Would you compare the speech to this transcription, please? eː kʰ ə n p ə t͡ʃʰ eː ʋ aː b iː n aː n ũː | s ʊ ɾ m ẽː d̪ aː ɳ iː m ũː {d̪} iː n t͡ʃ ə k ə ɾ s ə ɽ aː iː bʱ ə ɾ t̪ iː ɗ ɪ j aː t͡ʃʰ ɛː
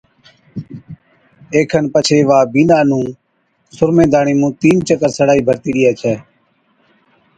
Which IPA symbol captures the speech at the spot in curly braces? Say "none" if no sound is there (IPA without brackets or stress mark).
t̪